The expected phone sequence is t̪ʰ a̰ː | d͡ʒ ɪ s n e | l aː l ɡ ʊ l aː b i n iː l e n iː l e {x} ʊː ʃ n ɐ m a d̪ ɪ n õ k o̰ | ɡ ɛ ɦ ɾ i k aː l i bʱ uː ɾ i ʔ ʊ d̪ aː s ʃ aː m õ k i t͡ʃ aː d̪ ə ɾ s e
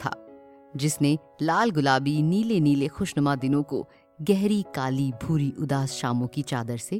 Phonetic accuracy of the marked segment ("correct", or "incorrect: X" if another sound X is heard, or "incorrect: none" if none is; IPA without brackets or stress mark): correct